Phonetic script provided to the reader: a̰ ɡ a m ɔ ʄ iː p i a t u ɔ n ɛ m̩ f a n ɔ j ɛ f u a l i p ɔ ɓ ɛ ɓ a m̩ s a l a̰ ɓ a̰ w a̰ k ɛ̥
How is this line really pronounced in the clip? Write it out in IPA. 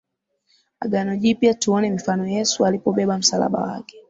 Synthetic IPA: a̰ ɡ a n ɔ ʄ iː p i a t u ɔ n ɛ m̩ f a n ɔ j ɛ s u a l i p ɔ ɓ ɛ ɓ a m̩ s a l a̰ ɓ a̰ w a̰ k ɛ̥